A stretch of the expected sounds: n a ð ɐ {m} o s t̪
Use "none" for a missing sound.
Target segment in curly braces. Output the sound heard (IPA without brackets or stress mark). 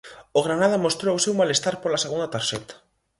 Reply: m